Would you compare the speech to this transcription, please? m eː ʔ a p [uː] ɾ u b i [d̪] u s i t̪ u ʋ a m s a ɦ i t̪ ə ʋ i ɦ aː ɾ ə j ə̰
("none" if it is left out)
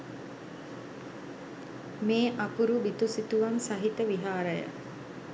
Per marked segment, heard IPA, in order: u, t̪

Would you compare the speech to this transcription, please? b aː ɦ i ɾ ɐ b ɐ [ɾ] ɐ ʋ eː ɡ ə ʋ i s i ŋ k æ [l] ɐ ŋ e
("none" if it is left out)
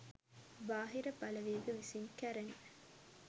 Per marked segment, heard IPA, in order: l, ɾ

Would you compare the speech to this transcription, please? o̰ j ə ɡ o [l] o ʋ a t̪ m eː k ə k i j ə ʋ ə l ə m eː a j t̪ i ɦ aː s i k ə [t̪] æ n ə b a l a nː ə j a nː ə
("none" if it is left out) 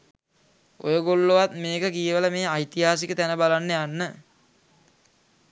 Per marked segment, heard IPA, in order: lː, t̪

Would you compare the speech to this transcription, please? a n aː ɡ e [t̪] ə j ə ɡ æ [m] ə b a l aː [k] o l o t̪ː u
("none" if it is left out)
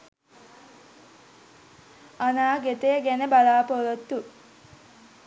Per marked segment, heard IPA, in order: t̪, n, p

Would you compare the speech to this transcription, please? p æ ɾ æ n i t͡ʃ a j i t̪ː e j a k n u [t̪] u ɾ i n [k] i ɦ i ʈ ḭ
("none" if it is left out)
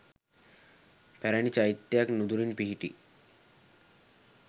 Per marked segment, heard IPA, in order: d̪, p

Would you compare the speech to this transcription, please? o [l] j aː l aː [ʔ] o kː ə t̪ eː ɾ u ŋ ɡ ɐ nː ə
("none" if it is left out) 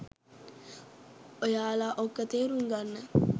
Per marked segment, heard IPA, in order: none, ʔ

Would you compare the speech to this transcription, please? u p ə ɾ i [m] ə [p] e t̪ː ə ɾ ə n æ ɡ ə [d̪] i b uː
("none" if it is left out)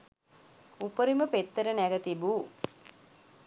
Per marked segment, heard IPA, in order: m, p, t̪

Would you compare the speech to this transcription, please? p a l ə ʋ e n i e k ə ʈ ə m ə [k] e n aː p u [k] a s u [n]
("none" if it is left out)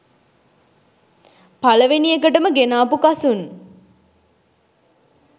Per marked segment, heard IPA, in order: ɡ, k, n

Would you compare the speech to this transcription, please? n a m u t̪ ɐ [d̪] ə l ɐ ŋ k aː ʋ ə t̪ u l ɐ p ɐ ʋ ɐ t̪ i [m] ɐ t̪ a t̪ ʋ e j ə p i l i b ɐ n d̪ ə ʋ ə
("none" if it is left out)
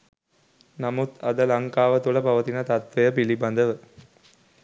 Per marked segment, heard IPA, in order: d̪, n

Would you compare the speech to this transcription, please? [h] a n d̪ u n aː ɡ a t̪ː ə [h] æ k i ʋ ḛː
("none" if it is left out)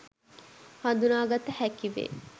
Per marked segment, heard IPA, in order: h, h

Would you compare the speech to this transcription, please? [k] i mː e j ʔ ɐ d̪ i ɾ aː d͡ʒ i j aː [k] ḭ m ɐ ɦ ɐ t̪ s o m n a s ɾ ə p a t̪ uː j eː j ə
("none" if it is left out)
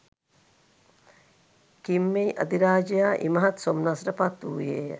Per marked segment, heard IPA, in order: k, ʔ

